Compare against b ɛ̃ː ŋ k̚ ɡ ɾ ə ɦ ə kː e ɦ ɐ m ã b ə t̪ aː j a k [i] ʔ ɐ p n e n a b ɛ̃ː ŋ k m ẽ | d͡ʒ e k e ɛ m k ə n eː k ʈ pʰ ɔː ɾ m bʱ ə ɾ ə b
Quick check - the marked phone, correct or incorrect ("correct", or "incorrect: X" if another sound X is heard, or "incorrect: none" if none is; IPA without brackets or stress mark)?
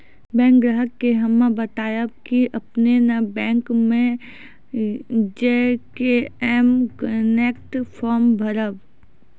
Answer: correct